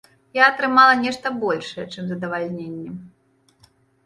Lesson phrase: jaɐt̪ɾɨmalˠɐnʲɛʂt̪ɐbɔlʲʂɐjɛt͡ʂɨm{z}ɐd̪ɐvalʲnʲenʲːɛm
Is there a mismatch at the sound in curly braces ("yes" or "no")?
no